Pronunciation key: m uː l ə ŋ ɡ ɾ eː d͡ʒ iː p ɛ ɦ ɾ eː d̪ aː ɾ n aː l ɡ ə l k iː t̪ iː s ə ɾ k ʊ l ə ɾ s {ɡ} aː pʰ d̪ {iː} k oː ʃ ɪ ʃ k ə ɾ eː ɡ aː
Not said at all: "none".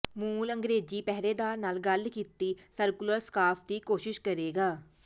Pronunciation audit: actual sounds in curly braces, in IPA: k, iː

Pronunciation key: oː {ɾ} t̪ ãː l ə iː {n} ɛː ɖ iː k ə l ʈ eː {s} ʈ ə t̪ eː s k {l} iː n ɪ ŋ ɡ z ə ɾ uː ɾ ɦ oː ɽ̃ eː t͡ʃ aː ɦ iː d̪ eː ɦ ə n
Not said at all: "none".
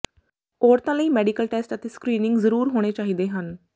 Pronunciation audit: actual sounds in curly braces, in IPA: ɾ, m, s, ɾ

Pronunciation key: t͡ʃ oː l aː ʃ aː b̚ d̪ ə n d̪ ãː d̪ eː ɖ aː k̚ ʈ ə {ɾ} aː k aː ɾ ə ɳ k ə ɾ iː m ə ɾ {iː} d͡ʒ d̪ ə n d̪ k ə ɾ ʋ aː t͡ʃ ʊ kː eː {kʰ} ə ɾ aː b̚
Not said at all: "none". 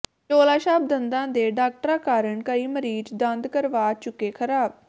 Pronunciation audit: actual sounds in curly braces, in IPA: ɾ, iː, kʰ

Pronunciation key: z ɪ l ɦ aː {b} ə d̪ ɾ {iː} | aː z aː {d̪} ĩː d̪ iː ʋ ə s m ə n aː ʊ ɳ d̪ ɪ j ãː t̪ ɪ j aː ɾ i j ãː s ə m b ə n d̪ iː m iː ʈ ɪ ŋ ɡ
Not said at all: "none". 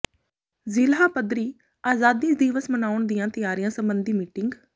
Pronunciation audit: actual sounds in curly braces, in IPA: p, iː, d̪

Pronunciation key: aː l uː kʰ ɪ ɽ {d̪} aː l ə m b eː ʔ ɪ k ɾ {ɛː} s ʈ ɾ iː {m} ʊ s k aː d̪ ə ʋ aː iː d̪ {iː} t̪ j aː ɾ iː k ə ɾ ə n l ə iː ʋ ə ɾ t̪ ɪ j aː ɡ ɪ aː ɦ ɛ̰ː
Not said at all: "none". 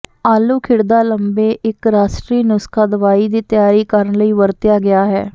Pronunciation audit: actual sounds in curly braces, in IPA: d̪, aː, n, iː

